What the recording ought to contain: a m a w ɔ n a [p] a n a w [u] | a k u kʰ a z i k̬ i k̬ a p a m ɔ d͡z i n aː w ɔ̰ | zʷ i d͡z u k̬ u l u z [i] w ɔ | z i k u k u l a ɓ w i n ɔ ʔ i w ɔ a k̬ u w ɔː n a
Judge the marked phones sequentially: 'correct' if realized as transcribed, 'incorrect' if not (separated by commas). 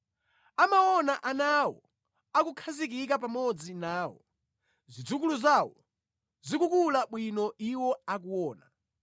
incorrect, incorrect, incorrect